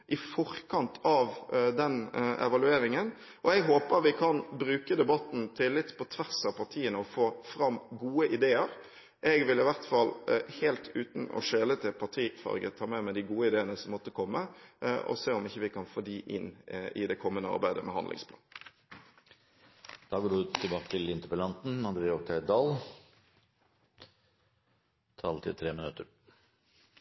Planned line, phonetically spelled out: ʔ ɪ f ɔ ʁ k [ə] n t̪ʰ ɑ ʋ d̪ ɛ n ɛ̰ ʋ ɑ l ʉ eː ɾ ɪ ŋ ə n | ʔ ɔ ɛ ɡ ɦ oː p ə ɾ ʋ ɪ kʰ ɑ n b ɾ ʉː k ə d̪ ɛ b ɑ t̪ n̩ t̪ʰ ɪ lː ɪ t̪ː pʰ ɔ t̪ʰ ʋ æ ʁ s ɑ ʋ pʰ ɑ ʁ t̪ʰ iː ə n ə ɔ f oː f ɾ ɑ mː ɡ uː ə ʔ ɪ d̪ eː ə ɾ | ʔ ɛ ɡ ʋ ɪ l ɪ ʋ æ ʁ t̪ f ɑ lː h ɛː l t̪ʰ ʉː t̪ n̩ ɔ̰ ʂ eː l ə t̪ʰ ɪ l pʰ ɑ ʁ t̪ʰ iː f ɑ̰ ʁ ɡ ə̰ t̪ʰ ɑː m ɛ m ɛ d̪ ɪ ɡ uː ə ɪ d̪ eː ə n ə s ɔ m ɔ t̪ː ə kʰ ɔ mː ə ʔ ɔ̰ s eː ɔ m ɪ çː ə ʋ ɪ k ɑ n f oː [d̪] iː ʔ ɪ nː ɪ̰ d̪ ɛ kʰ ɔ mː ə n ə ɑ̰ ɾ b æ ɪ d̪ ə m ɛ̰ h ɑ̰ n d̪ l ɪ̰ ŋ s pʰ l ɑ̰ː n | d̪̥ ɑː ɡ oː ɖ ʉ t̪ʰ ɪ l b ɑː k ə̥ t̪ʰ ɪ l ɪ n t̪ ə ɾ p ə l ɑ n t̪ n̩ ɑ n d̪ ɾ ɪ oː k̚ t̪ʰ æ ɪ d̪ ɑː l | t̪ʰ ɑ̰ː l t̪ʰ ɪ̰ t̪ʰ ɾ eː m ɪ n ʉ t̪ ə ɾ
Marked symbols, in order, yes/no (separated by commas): no, yes